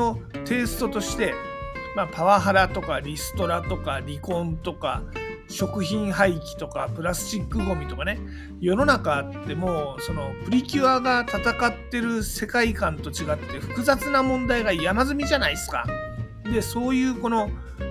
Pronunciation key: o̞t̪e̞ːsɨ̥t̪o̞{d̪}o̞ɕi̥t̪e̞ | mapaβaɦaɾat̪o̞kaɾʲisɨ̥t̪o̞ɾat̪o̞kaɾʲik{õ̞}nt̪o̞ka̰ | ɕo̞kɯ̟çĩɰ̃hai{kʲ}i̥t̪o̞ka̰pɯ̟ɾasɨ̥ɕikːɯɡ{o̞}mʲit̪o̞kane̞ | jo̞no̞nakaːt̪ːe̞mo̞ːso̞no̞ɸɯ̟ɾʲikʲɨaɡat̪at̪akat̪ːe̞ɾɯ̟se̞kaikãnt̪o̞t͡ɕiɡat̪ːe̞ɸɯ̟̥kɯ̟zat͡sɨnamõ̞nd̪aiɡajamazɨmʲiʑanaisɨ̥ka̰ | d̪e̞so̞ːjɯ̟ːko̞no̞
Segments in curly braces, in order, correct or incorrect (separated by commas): incorrect, correct, correct, correct